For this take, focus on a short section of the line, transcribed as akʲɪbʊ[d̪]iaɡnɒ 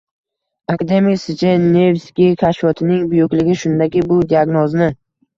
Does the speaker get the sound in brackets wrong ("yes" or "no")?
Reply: no